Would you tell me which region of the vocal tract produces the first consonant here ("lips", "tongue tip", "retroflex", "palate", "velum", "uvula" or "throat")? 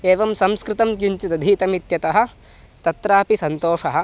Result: lips